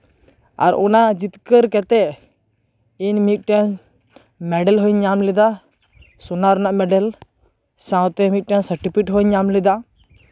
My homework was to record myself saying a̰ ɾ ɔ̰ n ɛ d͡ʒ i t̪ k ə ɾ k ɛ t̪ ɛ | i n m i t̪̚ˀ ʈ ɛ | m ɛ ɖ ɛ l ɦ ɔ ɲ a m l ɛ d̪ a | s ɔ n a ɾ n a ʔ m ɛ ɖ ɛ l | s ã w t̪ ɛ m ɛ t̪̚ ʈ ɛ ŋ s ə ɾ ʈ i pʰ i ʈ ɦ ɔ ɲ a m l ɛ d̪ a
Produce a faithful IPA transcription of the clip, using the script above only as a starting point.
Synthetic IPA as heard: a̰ ɾ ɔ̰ n a d͡ʒ i t̪ k ə ɾ k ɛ t̪ ɛ | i n m i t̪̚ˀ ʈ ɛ | m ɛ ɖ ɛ l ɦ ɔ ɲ a m l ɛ d̪ a | s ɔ n a ɾ n a ʔ m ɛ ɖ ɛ l | s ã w t̪ ɛ m i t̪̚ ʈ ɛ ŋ s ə ɾ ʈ i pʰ i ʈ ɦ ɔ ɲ a m l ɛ d̪ a